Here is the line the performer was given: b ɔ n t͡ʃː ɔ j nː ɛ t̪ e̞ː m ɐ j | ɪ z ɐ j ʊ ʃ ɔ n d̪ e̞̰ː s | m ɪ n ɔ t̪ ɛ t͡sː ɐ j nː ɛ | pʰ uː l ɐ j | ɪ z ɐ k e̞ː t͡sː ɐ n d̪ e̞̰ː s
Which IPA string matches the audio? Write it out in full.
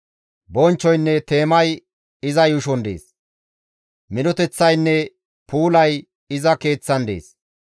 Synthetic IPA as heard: b ɔ n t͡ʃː ɔ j nː ɛ t̪ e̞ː m ɐ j | ɪ z ɐ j ʊ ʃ ɔ n d̪ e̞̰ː s | m ɪ n ɔ t̪ ɛ t͡sː ɐ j nː ɛ | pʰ uː l ɐ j | ɪ z ɐ k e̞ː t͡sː ɐ n d̪ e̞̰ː s